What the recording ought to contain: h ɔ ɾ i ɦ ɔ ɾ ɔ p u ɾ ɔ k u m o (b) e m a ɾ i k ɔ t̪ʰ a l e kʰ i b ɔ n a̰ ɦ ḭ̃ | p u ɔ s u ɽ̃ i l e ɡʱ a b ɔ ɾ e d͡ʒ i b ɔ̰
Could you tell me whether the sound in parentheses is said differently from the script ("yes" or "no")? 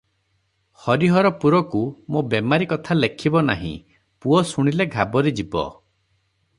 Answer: no